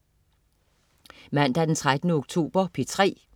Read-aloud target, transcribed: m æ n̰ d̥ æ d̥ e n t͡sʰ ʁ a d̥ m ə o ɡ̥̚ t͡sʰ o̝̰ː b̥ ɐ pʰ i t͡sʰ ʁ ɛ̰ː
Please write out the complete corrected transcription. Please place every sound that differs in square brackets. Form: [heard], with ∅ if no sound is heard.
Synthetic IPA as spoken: m æ n̰ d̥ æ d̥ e n t͡sʰ ʁ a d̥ [n] ə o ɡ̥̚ t͡sʰ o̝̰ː b̥ ɐ pʰ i t͡sʰ ʁ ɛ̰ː

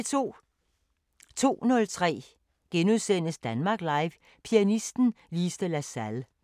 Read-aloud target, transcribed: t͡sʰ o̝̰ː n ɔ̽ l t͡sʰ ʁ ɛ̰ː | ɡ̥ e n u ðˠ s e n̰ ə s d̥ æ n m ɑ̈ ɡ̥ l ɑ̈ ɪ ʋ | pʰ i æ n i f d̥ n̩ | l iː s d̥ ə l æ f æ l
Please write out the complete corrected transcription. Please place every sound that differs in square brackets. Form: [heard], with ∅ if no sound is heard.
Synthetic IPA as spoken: t͡sʰ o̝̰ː n ɔ̽ l t͡sʰ ʁ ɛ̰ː | ɡ̥ e n u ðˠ s e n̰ ə s d̥ æ n m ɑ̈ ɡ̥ l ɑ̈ ɪ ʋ | pʰ i æ n i [s] d̥ n̩ | l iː s d̥ ə l æ [s] æ l

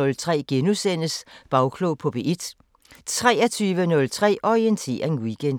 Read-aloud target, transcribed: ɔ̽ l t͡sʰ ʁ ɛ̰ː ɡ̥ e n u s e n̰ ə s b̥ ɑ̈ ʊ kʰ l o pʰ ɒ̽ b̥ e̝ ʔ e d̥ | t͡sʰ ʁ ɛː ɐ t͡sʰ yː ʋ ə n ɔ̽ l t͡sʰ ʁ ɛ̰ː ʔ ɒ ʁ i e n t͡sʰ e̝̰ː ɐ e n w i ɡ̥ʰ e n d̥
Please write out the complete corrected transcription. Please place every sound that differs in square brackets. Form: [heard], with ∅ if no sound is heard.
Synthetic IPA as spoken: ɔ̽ l t͡sʰ ʁ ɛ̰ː ɡ̥ e n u s e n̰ ə s b̥ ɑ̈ ʊ kʰ l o pʰ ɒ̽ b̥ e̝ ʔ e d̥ | t͡sʰ ʁ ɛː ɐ t͡sʰ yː ʋ ə n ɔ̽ l t͡sʰ ʁ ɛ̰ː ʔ ɒ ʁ i e n t͡sʰ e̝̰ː ɐ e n w i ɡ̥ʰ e n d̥

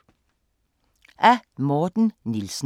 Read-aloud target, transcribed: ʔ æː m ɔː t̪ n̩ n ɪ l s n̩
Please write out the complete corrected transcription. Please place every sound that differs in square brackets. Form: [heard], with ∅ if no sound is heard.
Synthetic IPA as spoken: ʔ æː m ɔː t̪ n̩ n ɪ l s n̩

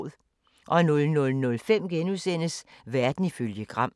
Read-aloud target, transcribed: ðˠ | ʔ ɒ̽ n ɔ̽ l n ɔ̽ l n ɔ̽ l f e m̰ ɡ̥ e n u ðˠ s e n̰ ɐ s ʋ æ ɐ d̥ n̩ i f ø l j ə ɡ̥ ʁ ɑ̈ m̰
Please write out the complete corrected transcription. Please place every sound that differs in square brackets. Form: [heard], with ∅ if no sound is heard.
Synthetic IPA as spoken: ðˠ | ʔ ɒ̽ n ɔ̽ l n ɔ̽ l n ɔ̽ l f e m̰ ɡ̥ e n u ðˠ s e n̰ [ə] s ʋ æ ɐ d̥ n̩ i f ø l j ə ɡ̥ ʁ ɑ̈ m̰

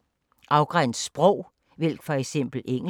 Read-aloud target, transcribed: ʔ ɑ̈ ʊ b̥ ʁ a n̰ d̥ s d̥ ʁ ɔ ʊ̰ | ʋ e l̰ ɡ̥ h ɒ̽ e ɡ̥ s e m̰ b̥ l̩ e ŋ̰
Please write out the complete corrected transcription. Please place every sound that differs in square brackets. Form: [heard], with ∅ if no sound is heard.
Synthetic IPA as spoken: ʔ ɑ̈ ʊ [ɡ̥] ʁ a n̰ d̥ s [b̥] ʁ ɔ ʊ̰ | ʋ e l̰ ɡ̥ [f] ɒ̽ e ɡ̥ s e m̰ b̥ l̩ e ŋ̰

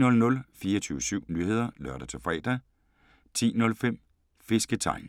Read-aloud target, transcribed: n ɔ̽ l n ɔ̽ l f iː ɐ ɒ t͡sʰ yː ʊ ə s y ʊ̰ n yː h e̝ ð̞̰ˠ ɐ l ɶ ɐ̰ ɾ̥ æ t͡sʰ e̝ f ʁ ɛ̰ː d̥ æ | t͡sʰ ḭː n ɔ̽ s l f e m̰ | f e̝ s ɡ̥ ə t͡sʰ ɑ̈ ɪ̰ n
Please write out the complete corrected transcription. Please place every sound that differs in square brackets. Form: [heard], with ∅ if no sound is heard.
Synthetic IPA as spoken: n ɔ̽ l n ɔ̽ l f iː ɐ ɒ t͡sʰ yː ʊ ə s y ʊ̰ n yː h e̝ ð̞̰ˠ ɐ l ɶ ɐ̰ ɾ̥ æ t͡sʰ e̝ f ʁ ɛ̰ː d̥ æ | t͡sʰ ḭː n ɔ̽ [∅] l f e m̰ | f e̝ s ɡ̥ ə t͡sʰ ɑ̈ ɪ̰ n

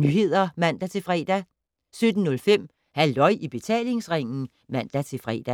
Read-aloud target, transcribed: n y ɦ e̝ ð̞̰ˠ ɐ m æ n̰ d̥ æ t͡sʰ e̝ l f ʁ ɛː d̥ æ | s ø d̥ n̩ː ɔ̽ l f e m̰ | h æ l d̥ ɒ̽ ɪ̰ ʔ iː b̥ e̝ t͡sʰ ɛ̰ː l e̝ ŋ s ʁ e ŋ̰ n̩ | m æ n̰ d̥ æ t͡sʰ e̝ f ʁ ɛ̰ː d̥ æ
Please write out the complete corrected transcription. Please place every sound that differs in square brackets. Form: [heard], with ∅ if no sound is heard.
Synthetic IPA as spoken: n y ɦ e̝ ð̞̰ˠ ɐ m æ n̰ d̥ æ t͡sʰ e̝ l f ʁ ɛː d̥ æ | s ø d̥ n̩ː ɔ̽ l f e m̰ | h æ l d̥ ɒ̽ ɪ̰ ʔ [i] b̥ e̝ t͡sʰ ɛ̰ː l e̝ ŋ s ʁ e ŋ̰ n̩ | m æ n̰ d̥ æ t͡sʰ e̝ f ʁ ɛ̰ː d̥ æ

